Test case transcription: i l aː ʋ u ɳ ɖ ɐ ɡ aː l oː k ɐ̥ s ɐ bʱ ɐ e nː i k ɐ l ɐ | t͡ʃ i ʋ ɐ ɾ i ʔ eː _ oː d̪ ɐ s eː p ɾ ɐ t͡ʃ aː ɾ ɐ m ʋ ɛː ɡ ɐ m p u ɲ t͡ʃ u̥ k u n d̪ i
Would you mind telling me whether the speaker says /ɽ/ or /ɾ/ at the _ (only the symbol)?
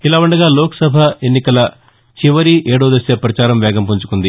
ɽ